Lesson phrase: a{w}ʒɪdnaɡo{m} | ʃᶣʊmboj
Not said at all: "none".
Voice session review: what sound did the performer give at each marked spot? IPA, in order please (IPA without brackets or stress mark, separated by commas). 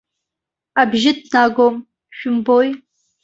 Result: b, m